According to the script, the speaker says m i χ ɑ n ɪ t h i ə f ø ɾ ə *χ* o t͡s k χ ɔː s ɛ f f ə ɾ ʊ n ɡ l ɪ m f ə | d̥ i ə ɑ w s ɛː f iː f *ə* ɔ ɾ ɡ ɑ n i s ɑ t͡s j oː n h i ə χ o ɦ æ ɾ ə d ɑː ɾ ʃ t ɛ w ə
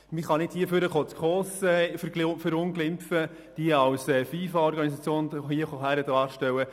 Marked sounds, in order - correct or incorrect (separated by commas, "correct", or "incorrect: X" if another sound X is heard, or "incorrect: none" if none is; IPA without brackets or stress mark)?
correct, incorrect: ɑ